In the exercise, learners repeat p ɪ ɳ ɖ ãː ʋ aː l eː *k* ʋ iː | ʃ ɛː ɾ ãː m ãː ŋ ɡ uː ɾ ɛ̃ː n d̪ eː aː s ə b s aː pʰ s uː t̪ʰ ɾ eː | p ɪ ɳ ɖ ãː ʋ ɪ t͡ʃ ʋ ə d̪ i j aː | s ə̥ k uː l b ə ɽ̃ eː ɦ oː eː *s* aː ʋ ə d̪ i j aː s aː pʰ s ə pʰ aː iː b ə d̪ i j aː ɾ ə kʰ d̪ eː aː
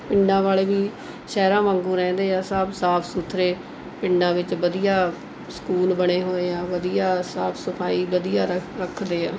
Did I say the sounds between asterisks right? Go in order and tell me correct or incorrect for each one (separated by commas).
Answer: incorrect, incorrect